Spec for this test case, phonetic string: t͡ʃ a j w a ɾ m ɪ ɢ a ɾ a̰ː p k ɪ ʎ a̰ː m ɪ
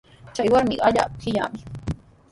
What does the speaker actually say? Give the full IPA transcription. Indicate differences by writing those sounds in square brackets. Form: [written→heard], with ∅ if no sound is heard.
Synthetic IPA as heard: t͡ʃ a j w a ɾ m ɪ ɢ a [ɾ→ʎ] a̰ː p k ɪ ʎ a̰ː m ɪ